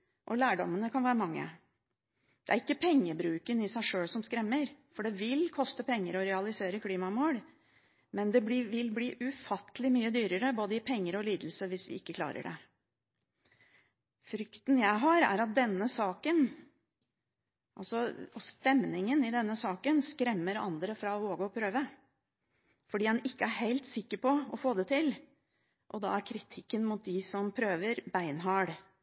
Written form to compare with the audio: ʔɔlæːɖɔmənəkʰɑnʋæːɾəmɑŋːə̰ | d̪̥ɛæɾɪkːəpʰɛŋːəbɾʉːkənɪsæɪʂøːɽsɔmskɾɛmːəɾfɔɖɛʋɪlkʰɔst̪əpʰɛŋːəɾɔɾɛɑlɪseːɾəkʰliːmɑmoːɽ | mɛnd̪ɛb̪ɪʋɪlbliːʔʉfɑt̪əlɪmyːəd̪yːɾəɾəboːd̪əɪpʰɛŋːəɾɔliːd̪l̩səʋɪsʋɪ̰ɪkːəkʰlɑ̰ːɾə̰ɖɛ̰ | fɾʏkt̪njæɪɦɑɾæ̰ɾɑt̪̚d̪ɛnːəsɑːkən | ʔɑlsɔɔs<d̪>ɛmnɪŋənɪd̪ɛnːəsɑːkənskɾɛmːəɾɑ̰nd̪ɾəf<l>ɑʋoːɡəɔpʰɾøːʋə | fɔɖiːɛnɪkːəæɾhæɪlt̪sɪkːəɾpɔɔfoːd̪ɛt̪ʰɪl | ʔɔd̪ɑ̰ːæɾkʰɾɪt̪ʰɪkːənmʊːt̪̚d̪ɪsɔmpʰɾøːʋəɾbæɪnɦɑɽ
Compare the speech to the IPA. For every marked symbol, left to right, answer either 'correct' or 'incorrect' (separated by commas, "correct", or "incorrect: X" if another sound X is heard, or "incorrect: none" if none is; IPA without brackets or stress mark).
incorrect: t̪, incorrect: ɾ